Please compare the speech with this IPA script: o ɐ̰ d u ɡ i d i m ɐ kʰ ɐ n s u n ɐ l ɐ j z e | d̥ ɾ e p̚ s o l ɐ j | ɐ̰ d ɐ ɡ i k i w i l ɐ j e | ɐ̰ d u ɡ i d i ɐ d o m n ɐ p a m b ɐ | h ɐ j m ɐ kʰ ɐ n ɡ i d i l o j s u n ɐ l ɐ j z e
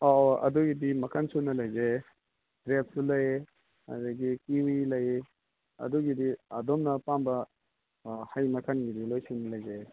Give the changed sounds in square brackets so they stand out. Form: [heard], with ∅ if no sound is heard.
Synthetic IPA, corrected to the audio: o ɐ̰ d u ɡ i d i m ɐ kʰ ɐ n s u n ɐ l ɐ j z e | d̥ ɾ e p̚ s [u] l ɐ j | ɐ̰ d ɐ ɡ i k i w i l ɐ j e | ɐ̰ d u ɡ i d i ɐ d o m n ɐ p a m b ɐ | h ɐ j m ɐ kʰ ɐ n ɡ i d i l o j s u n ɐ l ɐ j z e